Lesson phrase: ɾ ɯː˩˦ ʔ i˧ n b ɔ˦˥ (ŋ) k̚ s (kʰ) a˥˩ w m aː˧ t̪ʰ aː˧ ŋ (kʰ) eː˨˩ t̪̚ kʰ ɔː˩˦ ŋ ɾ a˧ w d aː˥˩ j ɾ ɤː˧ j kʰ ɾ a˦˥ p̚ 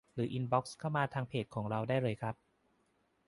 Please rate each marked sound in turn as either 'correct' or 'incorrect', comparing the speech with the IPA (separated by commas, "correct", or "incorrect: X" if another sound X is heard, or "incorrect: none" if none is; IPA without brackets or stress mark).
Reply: incorrect: none, correct, incorrect: pʰ